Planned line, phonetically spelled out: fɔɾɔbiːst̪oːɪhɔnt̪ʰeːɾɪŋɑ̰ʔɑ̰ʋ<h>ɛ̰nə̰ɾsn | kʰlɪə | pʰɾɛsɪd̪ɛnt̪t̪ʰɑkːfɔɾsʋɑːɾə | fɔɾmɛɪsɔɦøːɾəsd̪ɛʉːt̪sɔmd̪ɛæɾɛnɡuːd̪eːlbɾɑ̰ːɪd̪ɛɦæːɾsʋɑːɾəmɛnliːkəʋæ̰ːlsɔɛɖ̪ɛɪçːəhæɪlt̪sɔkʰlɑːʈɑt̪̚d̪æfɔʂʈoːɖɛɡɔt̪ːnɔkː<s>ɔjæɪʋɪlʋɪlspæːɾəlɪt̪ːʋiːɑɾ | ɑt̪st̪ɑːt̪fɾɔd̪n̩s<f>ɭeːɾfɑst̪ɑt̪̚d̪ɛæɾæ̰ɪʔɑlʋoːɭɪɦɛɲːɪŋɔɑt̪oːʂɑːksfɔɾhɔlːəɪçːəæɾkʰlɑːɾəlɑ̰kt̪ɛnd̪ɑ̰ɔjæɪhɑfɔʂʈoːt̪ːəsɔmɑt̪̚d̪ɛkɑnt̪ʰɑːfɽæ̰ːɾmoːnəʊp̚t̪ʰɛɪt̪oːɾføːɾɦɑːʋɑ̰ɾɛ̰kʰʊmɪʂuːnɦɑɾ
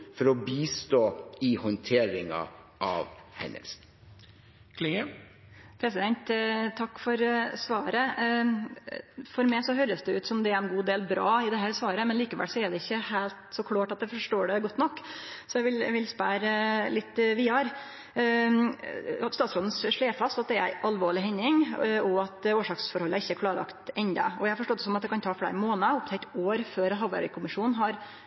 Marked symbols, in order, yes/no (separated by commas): yes, yes, no